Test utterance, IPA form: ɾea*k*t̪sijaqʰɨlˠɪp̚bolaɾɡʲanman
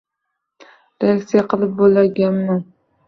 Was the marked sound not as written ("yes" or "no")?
no